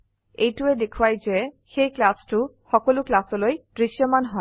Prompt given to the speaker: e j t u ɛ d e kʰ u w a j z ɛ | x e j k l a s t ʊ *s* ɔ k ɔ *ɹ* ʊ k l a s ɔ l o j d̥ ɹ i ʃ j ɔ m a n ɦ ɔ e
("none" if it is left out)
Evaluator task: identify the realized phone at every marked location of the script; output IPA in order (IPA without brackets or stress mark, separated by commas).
x, l